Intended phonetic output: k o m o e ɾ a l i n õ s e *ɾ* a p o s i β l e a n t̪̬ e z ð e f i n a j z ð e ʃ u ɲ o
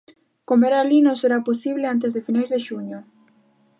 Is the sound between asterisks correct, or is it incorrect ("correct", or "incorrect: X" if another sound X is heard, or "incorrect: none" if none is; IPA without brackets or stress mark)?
correct